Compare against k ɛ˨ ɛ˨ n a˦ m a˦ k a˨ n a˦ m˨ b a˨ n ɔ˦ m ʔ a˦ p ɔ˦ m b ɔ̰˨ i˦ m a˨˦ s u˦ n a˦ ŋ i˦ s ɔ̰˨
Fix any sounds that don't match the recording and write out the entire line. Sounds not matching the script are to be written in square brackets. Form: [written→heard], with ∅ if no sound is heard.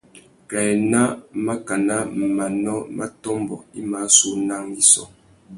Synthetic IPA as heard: k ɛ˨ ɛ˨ n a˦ m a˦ k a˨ n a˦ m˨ [b→m] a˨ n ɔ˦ m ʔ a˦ [p→t] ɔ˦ m b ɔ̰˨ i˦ m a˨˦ s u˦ n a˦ ŋ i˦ s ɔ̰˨